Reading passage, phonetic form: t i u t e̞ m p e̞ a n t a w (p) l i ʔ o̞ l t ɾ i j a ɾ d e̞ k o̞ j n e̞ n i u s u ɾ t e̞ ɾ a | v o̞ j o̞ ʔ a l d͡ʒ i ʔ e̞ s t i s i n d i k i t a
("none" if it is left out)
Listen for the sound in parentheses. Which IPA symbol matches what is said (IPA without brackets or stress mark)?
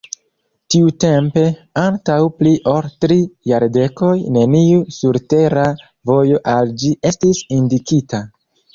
p